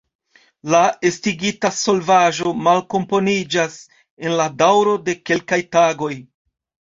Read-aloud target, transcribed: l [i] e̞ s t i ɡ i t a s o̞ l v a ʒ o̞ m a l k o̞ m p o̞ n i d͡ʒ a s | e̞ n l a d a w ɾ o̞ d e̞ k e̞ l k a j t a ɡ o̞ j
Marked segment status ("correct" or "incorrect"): incorrect